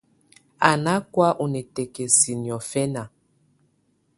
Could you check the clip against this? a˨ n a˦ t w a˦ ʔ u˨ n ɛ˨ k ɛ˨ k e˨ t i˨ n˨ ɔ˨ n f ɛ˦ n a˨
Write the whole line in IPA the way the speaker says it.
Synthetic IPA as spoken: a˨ n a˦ k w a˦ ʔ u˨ n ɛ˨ t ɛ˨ k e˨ s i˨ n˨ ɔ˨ f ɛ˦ n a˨